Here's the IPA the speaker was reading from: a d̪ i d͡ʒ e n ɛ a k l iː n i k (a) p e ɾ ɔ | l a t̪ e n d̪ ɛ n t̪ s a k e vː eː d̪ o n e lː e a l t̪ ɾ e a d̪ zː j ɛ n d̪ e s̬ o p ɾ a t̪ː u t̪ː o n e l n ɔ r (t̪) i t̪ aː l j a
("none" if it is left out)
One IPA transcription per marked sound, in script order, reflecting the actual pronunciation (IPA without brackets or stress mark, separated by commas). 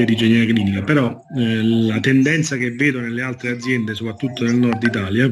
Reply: a, d̪